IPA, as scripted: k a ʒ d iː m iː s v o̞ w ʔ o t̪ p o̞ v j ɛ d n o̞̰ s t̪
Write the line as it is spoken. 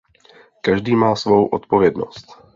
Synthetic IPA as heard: k a ʒ d iː m aː s v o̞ w ʔ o t̪ p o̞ v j ɛ d n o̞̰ s t̪